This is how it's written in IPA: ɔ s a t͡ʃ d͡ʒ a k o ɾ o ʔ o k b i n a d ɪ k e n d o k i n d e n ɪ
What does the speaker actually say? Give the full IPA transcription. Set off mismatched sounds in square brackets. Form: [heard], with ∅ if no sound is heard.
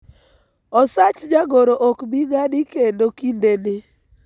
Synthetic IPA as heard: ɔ s a t͡ʃ d͡ʒ a [ɡ] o ɾ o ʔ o k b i [ŋ] a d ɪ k e n d o k i n d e n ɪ